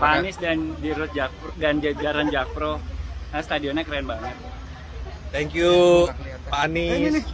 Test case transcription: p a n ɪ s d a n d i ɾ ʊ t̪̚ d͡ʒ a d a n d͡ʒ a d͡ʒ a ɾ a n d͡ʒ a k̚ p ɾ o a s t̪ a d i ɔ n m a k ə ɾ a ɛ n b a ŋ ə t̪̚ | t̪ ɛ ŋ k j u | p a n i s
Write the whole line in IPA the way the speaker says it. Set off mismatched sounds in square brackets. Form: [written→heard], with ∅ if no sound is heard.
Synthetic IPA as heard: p a n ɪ s d a n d i ɾ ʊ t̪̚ d͡ʒ a d a n d͡ʒ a d͡ʒ a ɾ a n d͡ʒ a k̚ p ɾ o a s t̪ a d i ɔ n [m→ɲ] a k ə ɾ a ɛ n b a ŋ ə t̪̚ | t̪ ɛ ŋ k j u | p a n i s